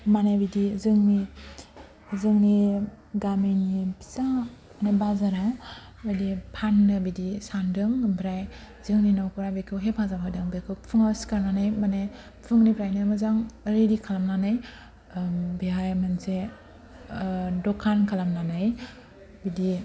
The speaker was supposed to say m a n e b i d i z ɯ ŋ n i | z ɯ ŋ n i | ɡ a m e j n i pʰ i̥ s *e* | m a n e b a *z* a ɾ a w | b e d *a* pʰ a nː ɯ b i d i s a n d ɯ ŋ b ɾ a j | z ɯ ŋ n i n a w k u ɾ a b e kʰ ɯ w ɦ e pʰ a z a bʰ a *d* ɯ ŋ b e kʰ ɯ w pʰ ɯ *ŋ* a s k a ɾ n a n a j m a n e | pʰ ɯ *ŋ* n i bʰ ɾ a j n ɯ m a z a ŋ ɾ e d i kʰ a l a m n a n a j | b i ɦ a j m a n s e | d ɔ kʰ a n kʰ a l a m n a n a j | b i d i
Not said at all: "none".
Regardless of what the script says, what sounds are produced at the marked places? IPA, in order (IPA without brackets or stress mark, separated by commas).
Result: a, z, i, d, ŋ, ŋ